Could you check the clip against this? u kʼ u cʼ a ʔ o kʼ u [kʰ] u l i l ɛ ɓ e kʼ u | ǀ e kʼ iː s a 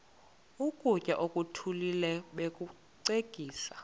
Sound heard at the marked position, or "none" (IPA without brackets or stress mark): tʰ